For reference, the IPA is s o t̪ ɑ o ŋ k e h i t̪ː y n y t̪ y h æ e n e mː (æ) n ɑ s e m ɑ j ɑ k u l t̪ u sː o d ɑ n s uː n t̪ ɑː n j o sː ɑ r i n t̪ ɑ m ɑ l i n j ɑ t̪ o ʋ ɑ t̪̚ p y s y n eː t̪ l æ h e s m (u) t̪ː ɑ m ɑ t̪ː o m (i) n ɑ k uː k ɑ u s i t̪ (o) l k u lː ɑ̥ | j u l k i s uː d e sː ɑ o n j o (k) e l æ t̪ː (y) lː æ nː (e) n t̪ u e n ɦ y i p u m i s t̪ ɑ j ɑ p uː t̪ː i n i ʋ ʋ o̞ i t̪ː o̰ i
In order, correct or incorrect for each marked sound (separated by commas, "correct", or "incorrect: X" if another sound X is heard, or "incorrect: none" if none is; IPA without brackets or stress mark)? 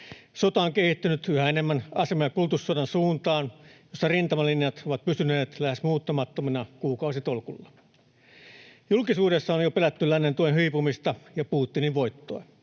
correct, incorrect: uː, correct, correct, incorrect: p, correct, correct